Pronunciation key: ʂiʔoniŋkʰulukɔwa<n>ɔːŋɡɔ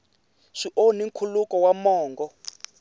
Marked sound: incorrect: m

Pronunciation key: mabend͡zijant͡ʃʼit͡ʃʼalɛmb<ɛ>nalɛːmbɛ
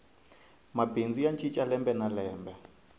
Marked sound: correct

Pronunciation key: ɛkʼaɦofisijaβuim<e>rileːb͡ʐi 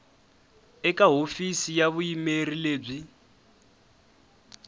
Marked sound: correct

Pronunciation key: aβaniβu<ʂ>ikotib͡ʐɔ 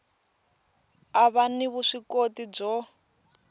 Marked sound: correct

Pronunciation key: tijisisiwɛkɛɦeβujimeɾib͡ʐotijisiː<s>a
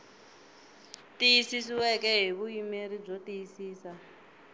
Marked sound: correct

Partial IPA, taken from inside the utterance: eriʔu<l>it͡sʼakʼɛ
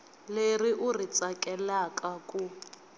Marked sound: incorrect: r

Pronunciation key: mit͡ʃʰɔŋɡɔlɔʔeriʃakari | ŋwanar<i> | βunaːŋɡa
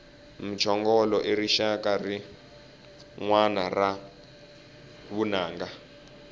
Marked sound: incorrect: a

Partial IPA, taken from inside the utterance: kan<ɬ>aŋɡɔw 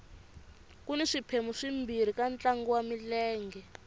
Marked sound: incorrect: t͡ɬ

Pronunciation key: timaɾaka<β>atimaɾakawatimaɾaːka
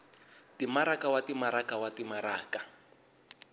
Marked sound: incorrect: w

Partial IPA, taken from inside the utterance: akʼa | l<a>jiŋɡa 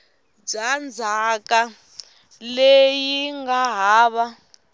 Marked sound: incorrect: e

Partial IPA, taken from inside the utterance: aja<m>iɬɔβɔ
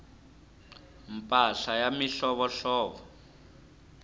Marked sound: correct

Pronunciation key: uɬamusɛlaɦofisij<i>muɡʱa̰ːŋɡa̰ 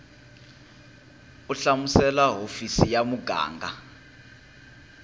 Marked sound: incorrect: a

